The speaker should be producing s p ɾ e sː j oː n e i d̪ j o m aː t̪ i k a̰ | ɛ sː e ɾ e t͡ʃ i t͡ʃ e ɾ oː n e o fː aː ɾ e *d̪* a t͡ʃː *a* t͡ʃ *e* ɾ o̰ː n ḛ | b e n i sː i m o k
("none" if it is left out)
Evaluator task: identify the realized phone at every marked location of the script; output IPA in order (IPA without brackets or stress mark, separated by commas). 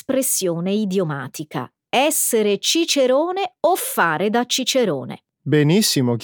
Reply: d̪, i, e